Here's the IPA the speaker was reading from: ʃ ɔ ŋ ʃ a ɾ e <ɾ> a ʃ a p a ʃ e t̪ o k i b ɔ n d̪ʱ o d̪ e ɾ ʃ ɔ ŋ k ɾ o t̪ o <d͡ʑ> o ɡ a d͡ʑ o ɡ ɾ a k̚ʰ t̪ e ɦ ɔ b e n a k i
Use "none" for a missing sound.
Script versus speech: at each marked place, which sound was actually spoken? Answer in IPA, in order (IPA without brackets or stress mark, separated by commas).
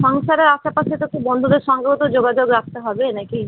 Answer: ɾ, d͡ʑ